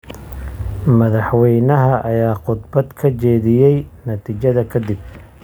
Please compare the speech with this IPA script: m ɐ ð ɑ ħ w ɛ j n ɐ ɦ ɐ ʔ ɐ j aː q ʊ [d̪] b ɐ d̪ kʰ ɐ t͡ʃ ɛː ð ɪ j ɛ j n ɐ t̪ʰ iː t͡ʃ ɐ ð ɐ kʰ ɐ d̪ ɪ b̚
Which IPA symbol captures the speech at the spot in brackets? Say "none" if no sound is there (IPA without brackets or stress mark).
d̪